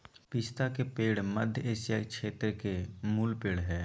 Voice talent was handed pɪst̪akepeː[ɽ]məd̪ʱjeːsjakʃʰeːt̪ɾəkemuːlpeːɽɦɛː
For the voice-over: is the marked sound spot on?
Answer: yes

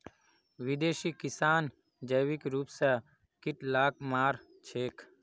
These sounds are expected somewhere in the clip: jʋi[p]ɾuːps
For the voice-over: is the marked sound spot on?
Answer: no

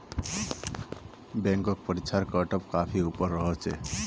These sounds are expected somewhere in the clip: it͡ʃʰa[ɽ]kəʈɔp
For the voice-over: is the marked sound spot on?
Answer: no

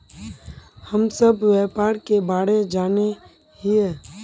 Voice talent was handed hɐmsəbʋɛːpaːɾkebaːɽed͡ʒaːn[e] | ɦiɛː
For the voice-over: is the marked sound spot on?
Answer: yes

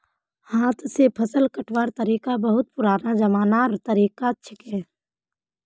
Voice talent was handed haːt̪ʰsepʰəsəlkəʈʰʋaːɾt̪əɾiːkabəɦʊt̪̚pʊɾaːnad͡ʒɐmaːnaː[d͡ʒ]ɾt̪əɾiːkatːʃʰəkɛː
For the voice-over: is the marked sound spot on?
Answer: no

